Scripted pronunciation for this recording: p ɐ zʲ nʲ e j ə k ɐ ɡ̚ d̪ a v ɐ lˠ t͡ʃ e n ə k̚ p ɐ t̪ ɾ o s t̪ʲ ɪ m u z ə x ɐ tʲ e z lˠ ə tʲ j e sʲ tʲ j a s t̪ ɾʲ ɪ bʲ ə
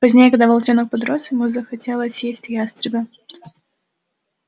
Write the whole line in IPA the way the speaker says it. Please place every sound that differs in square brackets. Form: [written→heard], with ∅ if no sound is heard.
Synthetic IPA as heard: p ɐ zʲ nʲ e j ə k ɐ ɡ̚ d̪ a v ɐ lˠ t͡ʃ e n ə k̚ p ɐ [t̪→d̪] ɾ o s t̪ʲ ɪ m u z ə x ɐ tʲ e [z→∅] lˠ ə [tʲ→sʲ] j e sʲ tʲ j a s t̪ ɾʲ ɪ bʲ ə